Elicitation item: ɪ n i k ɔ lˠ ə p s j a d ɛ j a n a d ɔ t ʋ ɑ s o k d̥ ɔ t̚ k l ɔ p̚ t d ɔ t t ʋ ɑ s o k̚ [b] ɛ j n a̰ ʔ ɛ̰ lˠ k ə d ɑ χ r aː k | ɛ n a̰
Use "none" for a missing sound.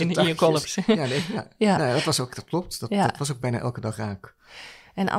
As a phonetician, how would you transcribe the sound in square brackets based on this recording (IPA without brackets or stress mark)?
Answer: b